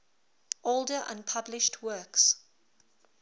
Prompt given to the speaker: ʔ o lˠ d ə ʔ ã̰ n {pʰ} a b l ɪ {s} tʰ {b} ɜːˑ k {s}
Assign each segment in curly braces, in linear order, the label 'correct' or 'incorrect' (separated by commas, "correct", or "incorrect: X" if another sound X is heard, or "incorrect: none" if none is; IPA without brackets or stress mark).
correct, incorrect: ʃ, incorrect: w, correct